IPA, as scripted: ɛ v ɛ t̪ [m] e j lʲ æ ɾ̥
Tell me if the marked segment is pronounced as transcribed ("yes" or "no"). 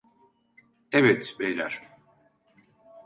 no